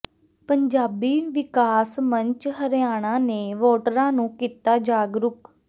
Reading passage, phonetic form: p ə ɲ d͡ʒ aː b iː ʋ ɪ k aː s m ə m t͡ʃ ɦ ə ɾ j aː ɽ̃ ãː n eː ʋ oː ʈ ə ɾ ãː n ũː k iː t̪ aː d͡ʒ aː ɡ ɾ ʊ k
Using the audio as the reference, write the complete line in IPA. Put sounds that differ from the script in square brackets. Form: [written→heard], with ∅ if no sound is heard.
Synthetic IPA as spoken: p ə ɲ d͡ʒ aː b iː ʋ ɪ k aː s m ə [m→ɲ] t͡ʃ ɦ ə ɾ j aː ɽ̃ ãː n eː ʋ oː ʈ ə ɾ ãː n ũː k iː t̪ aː d͡ʒ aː ɡ ɾ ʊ k